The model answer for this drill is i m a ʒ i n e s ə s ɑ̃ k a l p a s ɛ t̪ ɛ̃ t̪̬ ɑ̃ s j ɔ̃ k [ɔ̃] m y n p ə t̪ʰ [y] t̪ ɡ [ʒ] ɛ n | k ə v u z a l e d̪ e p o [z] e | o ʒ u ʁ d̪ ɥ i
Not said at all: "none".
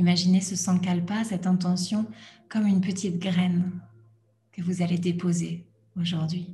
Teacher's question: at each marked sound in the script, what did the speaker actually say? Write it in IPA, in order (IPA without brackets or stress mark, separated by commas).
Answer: ɔ, i, ʁ, z